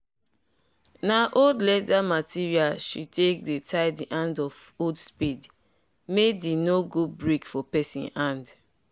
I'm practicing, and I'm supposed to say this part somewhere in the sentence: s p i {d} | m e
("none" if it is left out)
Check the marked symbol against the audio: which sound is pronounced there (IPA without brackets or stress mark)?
d